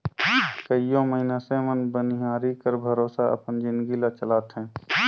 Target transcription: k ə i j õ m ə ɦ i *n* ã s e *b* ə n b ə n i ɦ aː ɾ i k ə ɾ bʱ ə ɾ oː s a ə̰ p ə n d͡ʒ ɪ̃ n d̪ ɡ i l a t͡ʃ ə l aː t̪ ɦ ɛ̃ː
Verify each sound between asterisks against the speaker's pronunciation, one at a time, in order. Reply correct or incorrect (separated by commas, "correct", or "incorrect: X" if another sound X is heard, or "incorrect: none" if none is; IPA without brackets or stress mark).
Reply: correct, incorrect: m